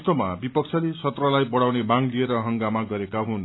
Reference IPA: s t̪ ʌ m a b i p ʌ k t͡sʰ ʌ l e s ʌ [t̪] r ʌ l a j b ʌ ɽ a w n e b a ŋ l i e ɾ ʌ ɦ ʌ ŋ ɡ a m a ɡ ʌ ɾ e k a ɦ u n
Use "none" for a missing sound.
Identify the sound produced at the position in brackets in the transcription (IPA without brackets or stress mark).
t̪